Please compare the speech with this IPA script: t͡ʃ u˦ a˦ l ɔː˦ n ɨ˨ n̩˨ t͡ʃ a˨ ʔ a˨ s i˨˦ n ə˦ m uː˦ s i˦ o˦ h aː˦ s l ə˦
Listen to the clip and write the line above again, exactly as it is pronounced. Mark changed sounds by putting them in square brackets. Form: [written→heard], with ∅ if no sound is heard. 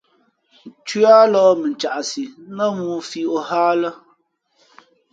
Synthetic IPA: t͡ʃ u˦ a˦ l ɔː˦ [n→m] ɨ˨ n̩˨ t͡ʃ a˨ ʔ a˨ s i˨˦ n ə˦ m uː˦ [s→f] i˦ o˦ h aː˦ [s→∅] l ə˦